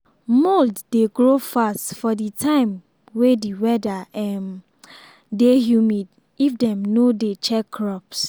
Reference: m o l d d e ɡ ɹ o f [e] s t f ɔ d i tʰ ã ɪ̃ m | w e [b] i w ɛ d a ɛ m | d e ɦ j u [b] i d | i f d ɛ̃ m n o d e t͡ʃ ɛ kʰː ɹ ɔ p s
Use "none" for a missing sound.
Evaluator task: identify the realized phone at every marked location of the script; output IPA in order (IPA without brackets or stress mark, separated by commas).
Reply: a, d, m